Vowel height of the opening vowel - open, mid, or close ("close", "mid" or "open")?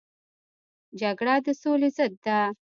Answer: open